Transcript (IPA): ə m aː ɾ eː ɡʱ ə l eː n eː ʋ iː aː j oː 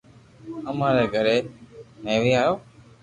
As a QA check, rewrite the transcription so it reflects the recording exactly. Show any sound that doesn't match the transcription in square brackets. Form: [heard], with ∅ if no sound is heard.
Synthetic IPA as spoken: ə m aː ɾ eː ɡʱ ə [ɾ] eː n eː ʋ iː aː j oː